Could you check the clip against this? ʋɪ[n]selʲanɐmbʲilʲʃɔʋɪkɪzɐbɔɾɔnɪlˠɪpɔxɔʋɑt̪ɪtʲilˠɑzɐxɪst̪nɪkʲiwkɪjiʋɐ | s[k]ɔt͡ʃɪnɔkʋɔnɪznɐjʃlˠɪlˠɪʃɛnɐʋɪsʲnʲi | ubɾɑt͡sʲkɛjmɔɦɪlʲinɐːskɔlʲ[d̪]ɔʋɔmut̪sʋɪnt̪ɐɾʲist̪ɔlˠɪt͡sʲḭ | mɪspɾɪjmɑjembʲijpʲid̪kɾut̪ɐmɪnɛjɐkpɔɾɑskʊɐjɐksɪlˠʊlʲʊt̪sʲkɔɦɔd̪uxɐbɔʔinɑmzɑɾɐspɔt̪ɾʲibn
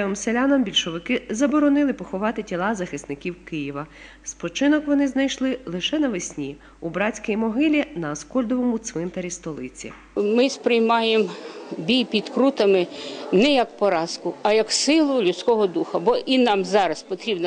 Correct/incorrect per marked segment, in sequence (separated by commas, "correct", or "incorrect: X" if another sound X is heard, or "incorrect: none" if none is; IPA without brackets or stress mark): incorrect: m, incorrect: p, correct